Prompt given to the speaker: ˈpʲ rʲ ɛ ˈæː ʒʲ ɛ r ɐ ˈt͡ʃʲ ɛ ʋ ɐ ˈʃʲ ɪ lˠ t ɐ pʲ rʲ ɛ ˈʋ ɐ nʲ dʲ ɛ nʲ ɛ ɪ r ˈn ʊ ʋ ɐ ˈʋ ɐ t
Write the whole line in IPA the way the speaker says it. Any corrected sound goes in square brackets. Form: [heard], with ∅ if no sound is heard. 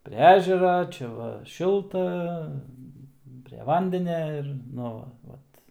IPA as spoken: ˈpʲ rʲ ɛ ˈæː ʒʲ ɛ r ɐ ˈt͡ʃʲ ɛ ʋ ɐ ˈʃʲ ɪ lˠ t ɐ pʲ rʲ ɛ ˈʋ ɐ nʲ dʲ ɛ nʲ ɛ ɪ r ˈn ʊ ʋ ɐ ˈʋ ɐ t